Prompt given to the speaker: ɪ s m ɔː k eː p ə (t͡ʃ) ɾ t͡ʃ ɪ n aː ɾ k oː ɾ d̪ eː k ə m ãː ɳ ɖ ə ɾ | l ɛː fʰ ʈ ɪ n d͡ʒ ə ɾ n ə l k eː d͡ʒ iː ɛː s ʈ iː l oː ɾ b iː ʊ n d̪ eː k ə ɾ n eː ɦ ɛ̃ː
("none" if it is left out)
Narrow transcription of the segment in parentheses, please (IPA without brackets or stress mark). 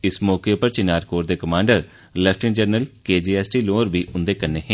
none